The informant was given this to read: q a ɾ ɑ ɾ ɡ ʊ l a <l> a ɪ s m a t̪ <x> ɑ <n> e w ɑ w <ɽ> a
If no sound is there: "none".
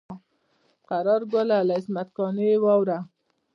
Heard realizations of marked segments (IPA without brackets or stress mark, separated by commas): l, k, n, ɾ